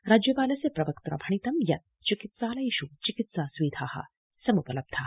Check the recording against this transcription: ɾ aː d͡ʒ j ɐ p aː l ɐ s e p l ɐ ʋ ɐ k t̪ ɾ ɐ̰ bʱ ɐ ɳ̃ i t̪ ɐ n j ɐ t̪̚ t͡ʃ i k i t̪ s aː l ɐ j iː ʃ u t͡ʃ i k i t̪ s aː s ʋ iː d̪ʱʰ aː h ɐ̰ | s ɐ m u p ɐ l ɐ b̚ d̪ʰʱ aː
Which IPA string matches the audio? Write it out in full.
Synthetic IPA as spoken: ɾ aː d͡ʒ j ɐ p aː l ɐ s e p ɾ ɐ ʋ ɐ k t̪ ɾ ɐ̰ bʱ ɐ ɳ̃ i t̪ ɐ m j ɐ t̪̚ t͡ʃ i k i t̪ s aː l ɐ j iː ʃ u t͡ʃ i k i t̪ s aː s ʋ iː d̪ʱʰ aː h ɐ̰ | s ɐ m u p ɐ l ɐ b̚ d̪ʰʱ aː